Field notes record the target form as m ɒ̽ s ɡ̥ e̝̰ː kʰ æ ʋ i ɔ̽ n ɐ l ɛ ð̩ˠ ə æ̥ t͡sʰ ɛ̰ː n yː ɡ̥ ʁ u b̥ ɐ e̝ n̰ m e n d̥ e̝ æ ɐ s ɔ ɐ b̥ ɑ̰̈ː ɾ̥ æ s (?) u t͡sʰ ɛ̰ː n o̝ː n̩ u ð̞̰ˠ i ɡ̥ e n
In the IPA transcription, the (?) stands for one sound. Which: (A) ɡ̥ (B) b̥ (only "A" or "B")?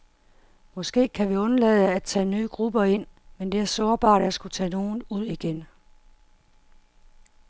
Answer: A